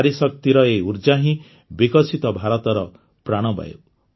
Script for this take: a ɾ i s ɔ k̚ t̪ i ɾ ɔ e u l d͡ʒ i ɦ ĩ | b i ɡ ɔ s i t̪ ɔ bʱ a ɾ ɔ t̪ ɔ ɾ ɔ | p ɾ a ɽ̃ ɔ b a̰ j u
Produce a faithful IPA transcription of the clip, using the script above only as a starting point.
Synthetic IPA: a ɾ i s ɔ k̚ t̪ i ɾ ɔ e u ɾ d͡ʒ a ɦ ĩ | b i k ɔ s i t̪ ɔ bʱ a ɾ ɔ t̪ ɔ ɾ ɔ | p ɾ a ɽ̃ ɔ b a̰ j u